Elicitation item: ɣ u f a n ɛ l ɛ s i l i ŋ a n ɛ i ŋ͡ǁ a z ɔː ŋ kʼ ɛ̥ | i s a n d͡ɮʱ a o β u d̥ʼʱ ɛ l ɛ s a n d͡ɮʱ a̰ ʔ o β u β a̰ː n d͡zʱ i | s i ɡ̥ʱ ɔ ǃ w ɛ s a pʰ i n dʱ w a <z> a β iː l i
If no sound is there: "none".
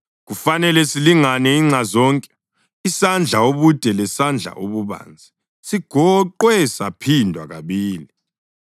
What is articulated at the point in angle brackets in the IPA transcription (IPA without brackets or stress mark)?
ɣ